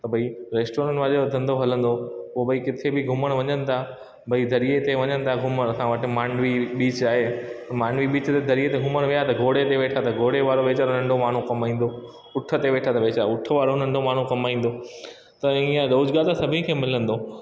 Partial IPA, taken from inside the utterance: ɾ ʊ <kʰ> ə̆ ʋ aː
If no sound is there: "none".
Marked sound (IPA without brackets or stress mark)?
ʈʰ